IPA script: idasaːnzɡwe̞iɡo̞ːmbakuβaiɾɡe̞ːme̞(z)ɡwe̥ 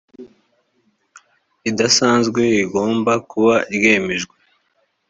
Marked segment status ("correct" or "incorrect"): incorrect